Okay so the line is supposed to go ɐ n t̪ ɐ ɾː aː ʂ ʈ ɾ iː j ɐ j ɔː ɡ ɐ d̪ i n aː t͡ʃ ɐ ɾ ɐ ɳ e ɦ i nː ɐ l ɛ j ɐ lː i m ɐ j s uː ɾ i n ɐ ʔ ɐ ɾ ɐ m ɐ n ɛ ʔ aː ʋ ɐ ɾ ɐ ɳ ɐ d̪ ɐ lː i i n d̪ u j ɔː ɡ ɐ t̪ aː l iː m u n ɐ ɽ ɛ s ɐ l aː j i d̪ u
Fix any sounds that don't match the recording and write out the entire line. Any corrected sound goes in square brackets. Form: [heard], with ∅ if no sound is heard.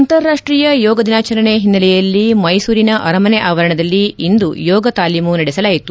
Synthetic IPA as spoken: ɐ n t̪ ɐ ɾː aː ʂ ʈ ɾ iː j ɐ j ɔː ɡ ɐ d̪ i n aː t͡ʃ ɐ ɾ ɐ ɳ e ɦ i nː ɐ l ɛ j ɐ lː i m ɐ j s uː ɾ i n ɐ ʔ ɐ ɾ ɐ m ɐ n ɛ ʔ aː ʋ ɐ ɾ ɐ ɳ ɐ d̪ ɐ lː i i n d̪ u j ɔː ɡ ɐ t̪ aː l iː m u n ɐ ɽ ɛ s ɐ l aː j i [t̪] u